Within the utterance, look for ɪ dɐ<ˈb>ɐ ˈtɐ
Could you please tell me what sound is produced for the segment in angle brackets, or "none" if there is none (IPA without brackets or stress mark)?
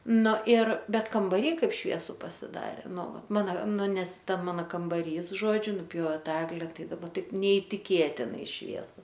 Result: b